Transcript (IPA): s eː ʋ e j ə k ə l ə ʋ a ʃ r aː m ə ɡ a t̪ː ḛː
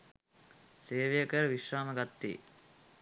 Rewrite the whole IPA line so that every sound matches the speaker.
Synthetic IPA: s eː ʋ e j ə k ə ɾ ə ʋ i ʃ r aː m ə ɡ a t̪ː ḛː